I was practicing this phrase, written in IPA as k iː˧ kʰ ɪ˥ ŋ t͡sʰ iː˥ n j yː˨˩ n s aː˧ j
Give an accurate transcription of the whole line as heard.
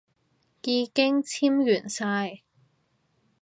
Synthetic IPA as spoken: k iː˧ k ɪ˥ ŋ t͡sʰ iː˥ m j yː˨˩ n s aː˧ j